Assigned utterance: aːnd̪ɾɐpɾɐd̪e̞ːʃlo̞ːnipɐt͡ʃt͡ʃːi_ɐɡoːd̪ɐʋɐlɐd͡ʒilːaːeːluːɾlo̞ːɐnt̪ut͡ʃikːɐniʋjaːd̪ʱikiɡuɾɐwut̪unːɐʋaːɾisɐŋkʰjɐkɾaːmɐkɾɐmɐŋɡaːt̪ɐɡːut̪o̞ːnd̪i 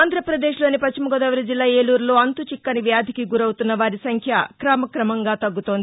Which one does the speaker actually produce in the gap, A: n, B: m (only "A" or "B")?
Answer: B